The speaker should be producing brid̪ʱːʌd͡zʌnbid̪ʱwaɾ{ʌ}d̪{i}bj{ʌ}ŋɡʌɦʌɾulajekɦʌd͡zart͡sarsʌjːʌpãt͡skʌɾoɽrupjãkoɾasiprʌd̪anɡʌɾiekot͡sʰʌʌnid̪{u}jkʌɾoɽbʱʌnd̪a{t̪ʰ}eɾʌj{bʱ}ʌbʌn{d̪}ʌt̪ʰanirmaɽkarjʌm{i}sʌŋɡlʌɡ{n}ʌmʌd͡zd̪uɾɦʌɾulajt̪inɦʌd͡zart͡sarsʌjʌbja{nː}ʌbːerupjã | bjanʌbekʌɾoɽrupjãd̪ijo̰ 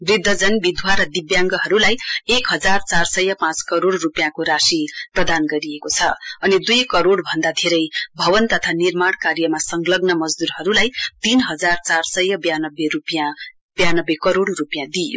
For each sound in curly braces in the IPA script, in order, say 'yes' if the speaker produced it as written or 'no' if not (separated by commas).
yes, yes, no, yes, yes, yes, no, no, yes, no